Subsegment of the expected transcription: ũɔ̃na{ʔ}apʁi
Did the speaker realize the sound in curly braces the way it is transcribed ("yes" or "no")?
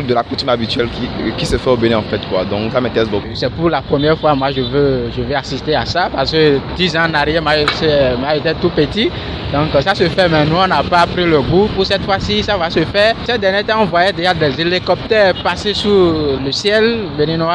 no